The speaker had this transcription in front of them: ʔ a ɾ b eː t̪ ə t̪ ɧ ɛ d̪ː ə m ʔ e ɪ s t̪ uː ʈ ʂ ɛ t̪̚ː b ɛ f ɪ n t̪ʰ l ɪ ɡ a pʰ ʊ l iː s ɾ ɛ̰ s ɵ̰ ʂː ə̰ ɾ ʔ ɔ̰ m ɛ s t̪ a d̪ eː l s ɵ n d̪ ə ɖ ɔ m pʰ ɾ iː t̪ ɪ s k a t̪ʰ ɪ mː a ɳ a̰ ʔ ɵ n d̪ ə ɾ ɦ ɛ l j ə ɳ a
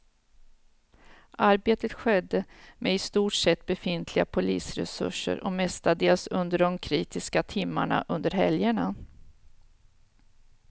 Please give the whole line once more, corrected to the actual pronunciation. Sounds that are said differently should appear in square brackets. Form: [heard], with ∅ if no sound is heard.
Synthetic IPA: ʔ a ɾ b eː t̪ ə t̪ ɧ ɛ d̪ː ə m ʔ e ɪ s t̪ uː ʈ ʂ ɛ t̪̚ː b ɛ f ɪ n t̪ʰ l ɪ ɡ a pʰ ʊ l iː s ɾ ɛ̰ s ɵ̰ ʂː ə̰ ɾ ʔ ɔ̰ m ɛ s t̪ a d̪ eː l s ɵ n d̪ ə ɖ ɔ m [kʰ] ɾ iː t̪ ɪ s k a t̪ʰ ɪ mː a ɳ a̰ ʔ ɵ n d̪ ə ɾ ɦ ɛ l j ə ɳ a